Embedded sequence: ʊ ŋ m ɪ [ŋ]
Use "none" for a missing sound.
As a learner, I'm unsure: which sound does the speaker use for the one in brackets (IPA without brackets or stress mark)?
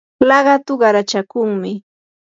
none